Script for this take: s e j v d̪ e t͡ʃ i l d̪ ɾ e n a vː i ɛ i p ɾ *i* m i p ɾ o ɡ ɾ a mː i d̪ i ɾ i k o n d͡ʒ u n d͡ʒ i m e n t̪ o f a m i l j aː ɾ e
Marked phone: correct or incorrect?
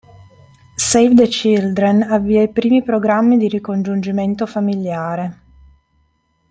incorrect